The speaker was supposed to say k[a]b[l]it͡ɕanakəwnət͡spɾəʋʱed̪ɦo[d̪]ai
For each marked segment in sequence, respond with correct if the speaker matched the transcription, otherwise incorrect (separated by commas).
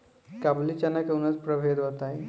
correct, correct, incorrect